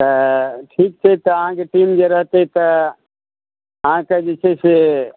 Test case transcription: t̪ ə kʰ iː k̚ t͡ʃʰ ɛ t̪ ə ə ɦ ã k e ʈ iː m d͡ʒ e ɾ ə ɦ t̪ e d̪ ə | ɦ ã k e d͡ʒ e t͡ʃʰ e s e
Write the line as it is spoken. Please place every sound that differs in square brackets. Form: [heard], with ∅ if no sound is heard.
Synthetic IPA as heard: t̪ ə [ʈʰ] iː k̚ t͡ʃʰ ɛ t̪ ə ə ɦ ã k e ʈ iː m d͡ʒ e ɾ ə ɦ t̪ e [t̪] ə | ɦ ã k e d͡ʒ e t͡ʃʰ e s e